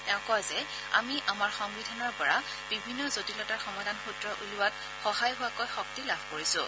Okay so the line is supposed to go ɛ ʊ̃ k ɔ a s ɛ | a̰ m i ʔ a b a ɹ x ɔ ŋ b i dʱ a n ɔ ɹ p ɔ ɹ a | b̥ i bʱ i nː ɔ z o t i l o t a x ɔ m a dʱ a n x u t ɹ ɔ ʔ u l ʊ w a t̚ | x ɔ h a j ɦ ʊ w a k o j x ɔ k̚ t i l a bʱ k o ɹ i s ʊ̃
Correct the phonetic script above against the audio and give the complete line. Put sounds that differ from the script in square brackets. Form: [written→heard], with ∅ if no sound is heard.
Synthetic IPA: ɛ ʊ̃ k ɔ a [s→z] ɛ | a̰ m i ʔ a [b→m] a ɹ x ɔ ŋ b i dʱ a n ɔ ɹ p ɔ ɹ a | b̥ i bʱ i nː ɔ z o t i l [o→ɔ] t a x ɔ m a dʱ a n x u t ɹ ɔ ʔ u l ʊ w a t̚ | x ɔ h a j ɦ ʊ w a k o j x ɔ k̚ t i l a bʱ k o ɹ i s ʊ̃